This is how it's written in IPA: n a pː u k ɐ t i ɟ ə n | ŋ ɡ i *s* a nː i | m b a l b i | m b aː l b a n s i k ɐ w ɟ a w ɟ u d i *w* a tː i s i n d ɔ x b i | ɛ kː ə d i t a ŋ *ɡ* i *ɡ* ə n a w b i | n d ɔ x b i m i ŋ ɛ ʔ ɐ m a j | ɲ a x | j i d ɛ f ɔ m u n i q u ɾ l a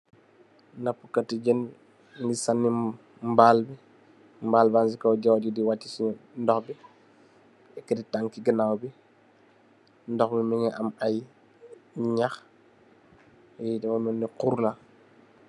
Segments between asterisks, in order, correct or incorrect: correct, correct, incorrect: k, correct

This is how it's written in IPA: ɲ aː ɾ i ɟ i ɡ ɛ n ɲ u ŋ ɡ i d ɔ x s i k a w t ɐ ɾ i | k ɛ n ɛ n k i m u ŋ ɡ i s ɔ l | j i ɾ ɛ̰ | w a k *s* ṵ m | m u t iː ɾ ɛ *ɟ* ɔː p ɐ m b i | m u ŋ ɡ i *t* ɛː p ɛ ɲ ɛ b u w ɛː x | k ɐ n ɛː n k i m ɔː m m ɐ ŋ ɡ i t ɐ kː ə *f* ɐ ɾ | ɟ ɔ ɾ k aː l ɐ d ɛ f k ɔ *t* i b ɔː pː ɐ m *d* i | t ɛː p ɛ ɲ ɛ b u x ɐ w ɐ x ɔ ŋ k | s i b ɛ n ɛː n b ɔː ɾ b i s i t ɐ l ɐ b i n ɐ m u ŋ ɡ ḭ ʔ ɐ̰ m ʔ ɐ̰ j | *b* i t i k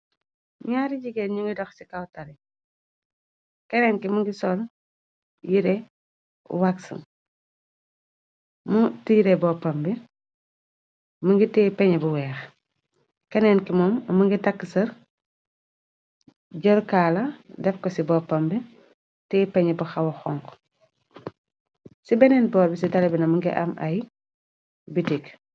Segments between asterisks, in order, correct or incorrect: correct, incorrect: b, correct, incorrect: s, incorrect: s, incorrect: b, correct

